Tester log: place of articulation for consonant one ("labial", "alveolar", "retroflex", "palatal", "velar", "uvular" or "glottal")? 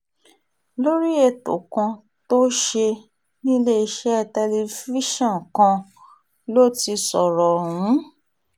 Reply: alveolar